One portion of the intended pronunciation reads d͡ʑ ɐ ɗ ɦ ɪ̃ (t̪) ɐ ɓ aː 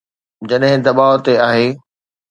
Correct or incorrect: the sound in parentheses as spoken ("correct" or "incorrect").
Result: incorrect